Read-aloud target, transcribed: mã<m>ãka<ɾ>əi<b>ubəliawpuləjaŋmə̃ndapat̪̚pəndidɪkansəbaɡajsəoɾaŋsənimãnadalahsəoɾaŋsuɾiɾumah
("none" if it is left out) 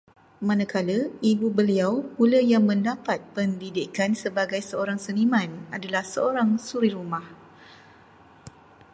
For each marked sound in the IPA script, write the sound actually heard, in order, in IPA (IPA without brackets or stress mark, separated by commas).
n, l, b